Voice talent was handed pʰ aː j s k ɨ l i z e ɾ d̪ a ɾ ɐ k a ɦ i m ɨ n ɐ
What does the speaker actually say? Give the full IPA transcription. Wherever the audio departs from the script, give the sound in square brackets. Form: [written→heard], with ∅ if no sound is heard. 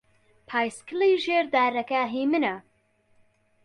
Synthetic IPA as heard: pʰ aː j s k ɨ l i [z→ʒ] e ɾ d̪ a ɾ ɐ k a ɦ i m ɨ n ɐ